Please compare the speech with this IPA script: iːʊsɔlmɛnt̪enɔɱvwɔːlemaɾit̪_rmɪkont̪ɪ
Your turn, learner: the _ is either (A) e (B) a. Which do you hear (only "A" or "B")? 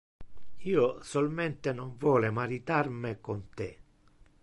B